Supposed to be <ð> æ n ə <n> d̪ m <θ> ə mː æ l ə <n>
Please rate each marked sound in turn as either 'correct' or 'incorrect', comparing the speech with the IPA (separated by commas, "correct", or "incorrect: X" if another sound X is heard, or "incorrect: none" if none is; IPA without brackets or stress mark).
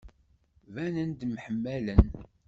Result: incorrect: v, correct, incorrect: ħ, correct